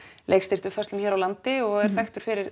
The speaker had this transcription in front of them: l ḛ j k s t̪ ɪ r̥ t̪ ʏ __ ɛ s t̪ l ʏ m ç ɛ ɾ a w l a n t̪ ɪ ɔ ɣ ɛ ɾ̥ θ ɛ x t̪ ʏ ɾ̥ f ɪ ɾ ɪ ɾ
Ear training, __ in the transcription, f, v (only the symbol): f